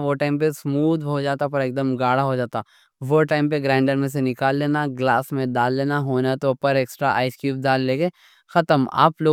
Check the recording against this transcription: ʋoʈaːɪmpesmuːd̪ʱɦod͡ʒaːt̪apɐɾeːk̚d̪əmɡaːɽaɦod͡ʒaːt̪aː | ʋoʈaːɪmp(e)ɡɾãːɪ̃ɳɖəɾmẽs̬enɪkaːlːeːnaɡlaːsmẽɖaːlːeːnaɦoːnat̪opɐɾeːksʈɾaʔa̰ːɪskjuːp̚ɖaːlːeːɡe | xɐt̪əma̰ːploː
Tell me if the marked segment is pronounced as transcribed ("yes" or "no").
yes